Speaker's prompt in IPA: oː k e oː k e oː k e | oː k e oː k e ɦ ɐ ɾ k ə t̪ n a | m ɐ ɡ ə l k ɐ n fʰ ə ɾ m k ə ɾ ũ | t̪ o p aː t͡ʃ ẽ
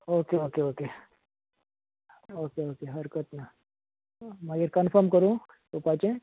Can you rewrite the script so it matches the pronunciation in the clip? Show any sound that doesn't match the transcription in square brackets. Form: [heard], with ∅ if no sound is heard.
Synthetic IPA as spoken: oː k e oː k e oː k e | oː k e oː k e ɦ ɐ ɾ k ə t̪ n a | m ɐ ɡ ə [ɾ] k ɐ n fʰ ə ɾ m k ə ɾ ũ | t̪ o p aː t͡ʃ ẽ